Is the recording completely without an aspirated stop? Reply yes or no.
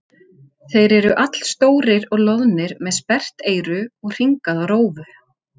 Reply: yes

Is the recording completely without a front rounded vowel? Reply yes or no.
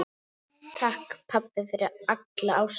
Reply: yes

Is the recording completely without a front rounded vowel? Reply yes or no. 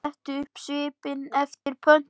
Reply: no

